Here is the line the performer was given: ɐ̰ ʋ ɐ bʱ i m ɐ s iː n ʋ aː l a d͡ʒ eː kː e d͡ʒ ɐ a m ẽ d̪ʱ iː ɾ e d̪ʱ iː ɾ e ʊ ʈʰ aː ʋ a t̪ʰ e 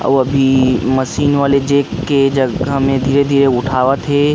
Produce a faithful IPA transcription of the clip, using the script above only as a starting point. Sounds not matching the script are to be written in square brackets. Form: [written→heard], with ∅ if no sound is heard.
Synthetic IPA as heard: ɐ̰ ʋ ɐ bʱ i m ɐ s iː n ʋ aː l [a→e] d͡ʒ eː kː e d͡ʒ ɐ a m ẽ d̪ʱ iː ɾ e d̪ʱ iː ɾ e ʊ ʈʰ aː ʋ a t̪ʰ e